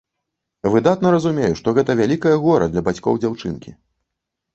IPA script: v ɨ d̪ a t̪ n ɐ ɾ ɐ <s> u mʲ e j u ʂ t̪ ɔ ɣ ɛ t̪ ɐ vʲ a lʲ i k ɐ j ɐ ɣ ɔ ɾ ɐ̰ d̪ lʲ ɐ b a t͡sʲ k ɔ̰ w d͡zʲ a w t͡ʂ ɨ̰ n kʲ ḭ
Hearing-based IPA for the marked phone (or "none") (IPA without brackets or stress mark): z